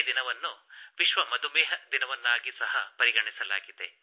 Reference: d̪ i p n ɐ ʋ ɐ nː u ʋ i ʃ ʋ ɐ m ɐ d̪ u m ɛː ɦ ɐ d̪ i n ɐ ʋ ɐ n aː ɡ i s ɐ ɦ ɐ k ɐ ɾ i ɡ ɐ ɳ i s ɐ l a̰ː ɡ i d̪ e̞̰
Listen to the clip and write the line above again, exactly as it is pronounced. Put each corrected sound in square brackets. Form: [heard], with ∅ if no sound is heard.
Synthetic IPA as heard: d̪ i [∅] n ɐ ʋ ɐ nː u ʋ i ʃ ʋ ɐ m ɐ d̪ u m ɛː ɦ ɐ d̪ i n ɐ ʋ ɐ [nː] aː ɡ i s ɐ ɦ ɐ [p] ɐ ɾ i ɡ ɐ ɳ i s ɐ l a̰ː ɡ i d̪ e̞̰

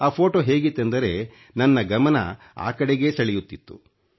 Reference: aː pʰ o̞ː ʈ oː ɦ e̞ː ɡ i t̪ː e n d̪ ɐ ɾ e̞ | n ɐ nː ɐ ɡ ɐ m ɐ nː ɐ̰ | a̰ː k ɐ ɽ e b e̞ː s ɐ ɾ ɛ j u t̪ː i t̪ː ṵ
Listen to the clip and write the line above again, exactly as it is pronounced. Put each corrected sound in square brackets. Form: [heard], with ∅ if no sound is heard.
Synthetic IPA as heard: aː pʰ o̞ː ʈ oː ɦ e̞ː ɡ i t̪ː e n d̪ ɐ ɾ e̞ | n ɐ nː ɐ ɡ ɐ m ɐ [n] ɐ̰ | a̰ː k ɐ ɽ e [ɡ] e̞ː s ɐ [ɭ] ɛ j u t̪ː i t̪ː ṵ

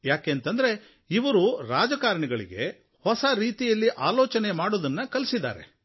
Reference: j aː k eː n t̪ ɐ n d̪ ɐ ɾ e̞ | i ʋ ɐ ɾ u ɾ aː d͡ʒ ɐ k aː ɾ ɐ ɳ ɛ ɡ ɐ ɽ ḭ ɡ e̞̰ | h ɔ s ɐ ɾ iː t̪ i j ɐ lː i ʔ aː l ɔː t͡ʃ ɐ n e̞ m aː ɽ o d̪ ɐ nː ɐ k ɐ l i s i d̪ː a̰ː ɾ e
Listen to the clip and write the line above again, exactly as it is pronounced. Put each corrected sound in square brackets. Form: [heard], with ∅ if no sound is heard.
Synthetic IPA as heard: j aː k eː n t̪ ɐ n d̪ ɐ ɾ e̞ | i ʋ ɐ ɾ u ɾ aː d͡ʒ ɐ k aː ɾ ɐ ɳ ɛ ɡ ɐ [ɭ] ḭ ɡ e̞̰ | h ɔ s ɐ ɾ iː t̪ i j ɐ lː i ʔ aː l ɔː t͡ʃ ɐ n e̞ m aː ɽ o d̪ ɐ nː ɐ k ɐ l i s i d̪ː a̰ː ɾ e

